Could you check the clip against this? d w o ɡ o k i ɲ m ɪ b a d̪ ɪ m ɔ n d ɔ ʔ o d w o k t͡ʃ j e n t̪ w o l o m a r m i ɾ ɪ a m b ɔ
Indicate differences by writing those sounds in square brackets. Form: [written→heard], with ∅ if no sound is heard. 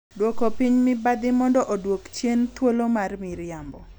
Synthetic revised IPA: d w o [ɡ→k] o [k→p] i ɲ m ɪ b a d̪ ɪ m ɔ n d ɔ ʔ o d w o k t͡ʃ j e n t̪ w o l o m a r m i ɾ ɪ a m b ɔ